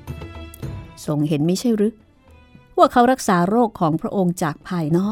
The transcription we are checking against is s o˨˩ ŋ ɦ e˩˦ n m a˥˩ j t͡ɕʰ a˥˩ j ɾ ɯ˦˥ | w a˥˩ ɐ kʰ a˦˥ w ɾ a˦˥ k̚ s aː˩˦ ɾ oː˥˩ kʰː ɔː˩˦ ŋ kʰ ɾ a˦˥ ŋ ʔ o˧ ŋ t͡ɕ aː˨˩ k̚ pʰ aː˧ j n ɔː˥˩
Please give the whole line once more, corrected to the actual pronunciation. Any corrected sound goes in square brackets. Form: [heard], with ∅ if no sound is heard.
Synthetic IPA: s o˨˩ ŋ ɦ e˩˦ n m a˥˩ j t͡ɕʰ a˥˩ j ɾ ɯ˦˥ | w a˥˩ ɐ kʰ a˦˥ w ɾ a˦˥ k̚ s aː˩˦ ɾ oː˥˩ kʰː ɔː˩˦ ŋ [pʰ] ɾ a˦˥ [∅] ʔ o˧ ŋ t͡ɕ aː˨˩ k̚ pʰ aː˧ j n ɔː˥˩